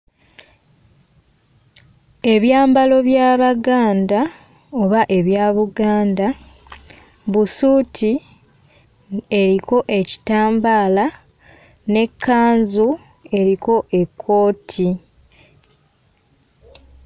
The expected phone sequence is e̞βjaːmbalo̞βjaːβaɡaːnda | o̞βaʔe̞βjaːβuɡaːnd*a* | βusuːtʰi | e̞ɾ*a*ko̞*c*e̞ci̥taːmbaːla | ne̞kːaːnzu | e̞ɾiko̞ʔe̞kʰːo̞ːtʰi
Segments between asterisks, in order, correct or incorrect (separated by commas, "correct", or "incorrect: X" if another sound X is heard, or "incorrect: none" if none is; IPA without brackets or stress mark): correct, incorrect: i, incorrect: ʔ